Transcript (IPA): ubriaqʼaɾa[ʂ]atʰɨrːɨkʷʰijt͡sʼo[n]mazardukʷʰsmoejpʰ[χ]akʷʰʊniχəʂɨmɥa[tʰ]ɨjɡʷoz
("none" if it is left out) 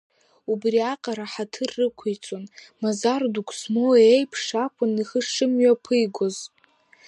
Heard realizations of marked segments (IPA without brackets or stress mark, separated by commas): ħ, n, ʂ, pʰ